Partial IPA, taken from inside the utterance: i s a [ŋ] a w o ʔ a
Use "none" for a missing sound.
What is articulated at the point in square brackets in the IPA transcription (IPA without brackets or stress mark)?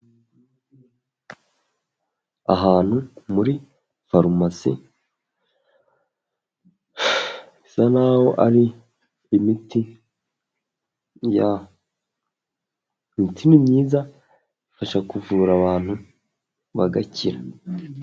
n